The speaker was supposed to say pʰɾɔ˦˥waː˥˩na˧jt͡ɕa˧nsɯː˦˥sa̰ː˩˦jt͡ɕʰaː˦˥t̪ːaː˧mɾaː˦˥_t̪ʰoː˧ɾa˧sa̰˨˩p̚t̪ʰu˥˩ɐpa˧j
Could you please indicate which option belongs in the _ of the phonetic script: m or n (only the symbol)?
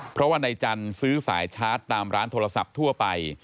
n